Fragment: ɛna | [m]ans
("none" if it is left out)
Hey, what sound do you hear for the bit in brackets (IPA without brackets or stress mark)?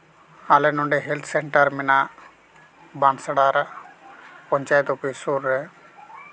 b